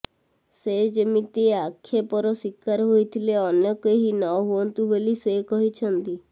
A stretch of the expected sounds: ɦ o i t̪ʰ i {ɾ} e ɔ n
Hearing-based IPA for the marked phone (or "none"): l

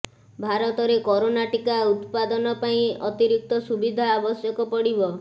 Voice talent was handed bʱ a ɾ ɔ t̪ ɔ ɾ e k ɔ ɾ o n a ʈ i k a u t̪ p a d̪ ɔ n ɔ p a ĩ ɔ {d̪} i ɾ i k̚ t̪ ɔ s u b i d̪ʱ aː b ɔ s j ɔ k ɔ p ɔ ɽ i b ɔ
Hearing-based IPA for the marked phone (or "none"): t̪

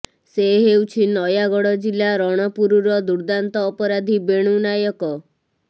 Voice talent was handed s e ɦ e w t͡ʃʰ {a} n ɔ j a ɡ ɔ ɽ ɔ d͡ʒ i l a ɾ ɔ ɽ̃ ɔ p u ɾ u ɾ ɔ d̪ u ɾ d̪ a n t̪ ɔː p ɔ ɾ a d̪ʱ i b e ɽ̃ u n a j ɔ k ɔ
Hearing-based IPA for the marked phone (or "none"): i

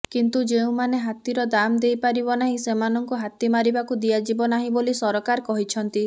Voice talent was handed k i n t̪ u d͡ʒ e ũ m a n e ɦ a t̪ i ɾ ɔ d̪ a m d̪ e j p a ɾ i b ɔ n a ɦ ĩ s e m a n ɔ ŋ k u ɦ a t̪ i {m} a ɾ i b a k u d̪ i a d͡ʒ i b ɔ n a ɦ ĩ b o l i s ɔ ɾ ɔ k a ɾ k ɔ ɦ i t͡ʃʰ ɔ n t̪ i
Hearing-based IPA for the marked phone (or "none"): m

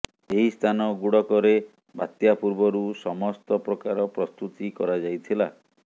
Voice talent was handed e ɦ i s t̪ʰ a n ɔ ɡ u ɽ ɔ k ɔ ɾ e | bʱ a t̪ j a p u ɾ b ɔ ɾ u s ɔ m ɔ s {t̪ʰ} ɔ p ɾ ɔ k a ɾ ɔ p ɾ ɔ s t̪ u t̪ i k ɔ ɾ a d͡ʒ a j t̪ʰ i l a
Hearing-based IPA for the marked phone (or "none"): t̪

